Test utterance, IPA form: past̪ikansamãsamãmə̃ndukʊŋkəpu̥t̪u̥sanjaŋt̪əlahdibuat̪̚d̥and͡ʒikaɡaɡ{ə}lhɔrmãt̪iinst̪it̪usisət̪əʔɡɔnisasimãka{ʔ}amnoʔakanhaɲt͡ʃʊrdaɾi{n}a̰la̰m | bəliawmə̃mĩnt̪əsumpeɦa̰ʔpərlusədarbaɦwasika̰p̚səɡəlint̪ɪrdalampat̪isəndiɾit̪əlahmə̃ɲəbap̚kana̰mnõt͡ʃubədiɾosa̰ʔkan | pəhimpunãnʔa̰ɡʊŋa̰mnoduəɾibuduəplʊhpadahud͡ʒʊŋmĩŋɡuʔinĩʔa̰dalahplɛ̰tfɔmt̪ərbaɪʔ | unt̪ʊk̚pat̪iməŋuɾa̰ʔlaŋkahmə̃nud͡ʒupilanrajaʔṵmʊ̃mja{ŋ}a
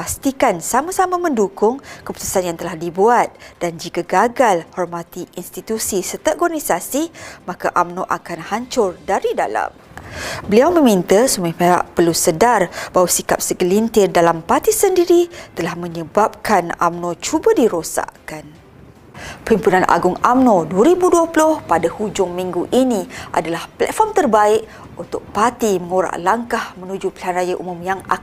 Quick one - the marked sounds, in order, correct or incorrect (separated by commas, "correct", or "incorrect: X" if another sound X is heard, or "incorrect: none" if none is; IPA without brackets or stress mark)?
incorrect: a, correct, incorrect: d, correct